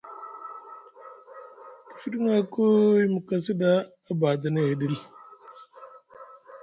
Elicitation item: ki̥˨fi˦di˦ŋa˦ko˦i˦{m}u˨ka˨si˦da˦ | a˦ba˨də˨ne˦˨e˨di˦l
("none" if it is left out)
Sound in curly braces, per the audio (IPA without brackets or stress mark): m